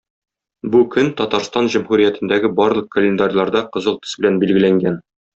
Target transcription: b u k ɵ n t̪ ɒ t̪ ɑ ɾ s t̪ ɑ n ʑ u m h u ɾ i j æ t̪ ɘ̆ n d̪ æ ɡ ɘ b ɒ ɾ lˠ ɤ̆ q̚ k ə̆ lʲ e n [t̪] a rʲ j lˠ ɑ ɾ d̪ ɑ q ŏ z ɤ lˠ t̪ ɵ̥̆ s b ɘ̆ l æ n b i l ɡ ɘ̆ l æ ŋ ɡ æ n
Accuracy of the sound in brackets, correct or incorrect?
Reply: incorrect